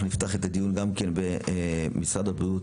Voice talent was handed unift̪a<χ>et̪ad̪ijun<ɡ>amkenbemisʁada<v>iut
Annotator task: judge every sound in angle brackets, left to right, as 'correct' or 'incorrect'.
correct, correct, incorrect

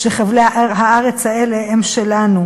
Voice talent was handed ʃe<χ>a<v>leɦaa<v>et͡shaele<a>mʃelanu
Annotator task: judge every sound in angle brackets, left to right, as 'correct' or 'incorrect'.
correct, correct, incorrect, incorrect

